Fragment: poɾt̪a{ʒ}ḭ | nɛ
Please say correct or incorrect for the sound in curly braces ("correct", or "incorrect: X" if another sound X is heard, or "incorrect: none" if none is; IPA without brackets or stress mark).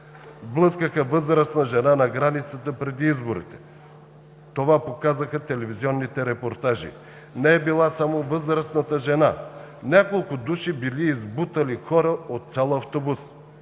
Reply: correct